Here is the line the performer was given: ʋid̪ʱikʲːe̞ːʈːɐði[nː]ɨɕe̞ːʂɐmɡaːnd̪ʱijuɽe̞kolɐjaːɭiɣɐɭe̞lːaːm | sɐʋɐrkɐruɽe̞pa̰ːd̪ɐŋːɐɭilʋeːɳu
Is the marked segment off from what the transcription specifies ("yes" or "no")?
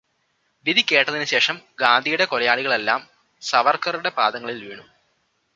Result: yes